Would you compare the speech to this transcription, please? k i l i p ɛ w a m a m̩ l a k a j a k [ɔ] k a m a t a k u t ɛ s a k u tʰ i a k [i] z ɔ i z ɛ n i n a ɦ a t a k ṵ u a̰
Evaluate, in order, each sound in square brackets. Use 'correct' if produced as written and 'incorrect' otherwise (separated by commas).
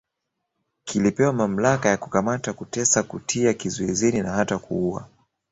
incorrect, correct